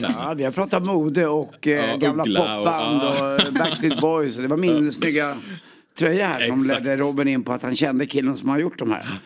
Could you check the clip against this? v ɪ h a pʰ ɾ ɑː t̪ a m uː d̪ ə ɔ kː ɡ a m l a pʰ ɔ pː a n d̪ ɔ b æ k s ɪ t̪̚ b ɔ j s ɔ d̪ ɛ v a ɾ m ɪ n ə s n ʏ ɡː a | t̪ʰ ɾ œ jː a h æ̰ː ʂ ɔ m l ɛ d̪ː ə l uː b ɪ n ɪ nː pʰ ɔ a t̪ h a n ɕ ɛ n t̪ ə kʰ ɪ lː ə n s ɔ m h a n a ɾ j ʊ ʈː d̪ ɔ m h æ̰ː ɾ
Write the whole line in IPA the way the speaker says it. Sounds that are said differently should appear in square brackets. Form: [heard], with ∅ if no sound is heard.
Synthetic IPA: v ɪ h a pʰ ɾ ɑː t̪ a m uː d̪ ə ɔ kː ɡ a m l a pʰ ɔ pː a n d̪ ɔ b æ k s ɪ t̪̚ b ɔ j s ɔ d̪ ɛ v a ɾ m ɪ n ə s n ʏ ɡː a | t̪ʰ ɾ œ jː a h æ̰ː ʂ ɔ m l ɛ d̪ː ə [ɾ] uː b ɪ n ɪ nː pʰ ɔ a t̪ h a n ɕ ɛ n [d̪] ə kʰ ɪ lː ə n s ɔ m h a n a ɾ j ʊ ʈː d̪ ɔ m h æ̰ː ɾ